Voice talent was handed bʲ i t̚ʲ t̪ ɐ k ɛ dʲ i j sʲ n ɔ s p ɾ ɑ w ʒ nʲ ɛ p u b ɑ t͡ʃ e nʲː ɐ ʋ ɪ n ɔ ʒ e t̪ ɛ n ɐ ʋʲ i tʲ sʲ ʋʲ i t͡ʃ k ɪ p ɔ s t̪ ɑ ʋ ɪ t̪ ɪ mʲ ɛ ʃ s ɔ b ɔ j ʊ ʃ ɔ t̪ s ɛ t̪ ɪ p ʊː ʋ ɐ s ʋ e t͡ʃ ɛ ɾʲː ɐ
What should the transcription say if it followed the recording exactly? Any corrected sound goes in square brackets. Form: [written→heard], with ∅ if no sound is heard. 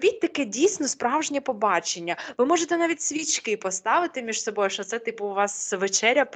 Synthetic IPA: bʲ i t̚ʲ t̪ ɐ k ɛ dʲ i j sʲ n ɔ s p ɾ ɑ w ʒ nʲ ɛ p [u→ɔ] b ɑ t͡ʃ e nʲː ɐ ʋ ɪ [n→m] ɔ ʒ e t̪ ɛ n [ɐ→ɑ] ʋʲ i tʲ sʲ ʋʲ i t͡ʃ k ɪ p ɔ s t̪ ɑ ʋ ɪ t̪ ɪ mʲ [ɛ→i] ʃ s ɔ b ɔ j ʊ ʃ ɔ t̪ s ɛ t̪ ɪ p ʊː ʋ [ɐ→ɑ] s ʋ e t͡ʃ ɛ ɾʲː ɐ